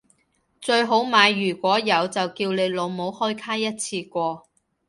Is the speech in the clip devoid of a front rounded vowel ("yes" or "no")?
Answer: no